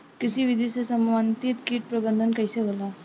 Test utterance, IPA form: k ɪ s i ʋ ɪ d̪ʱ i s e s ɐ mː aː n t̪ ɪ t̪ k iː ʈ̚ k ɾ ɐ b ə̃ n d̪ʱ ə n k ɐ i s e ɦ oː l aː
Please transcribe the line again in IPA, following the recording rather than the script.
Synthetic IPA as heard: k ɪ s i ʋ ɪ d̪ʱ i s e s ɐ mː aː n t̪ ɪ t̪ k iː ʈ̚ p ɾ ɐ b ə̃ n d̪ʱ ə n k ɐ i s e ɦ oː l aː